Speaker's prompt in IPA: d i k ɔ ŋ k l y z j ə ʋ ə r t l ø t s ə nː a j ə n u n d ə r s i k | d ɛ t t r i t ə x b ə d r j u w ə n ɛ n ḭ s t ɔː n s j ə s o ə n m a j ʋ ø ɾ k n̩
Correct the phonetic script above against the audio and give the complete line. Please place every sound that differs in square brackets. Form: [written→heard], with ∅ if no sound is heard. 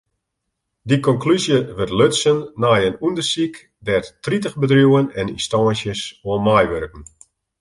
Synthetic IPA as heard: d i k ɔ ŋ k l y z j ə ʋ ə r t l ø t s ə nː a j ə n u n d ə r s i k | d ɛ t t r i t ə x b ə d r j u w ə n ɛ n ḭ s t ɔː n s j ə s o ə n m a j ʋ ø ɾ k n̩